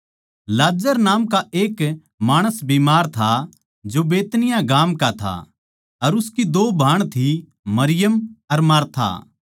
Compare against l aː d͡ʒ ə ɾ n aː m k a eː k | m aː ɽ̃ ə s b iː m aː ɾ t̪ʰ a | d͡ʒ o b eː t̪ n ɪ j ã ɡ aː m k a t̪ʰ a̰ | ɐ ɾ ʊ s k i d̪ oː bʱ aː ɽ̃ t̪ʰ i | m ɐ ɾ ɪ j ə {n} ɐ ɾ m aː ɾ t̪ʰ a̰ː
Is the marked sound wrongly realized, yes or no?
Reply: yes